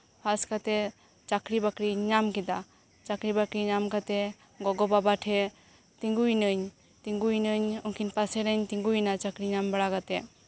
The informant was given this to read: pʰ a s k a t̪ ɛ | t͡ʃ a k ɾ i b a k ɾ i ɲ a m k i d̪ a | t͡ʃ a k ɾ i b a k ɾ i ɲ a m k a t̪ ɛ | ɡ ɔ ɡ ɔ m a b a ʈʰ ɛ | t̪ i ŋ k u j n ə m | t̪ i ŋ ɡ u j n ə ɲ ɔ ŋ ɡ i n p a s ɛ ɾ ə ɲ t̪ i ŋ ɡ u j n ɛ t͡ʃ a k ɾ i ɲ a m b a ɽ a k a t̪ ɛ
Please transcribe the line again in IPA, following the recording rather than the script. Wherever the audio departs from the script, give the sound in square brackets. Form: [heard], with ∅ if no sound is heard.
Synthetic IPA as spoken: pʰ a s k a t̪ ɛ | t͡ʃ a k ɾ i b a k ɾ i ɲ a m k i d̪ a | t͡ʃ a k ɾ i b a k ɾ i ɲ a m k a t̪ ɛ | ɡ ɔ ɡ ɔ [b] a b a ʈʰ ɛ | t̪ i ŋ [ɡ] u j n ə [ɲ] | t̪ i ŋ ɡ u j n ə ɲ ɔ ŋ [k] i n p a s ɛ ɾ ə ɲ t̪ i ŋ ɡ u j n [a] t͡ʃ a k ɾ i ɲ a m b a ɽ a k a t̪ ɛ